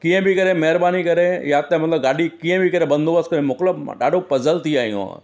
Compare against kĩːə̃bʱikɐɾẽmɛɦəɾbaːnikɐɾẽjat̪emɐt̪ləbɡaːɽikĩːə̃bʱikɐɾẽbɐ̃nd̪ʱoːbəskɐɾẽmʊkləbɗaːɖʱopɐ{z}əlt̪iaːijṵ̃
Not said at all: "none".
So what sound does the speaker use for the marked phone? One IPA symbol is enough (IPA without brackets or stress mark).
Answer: z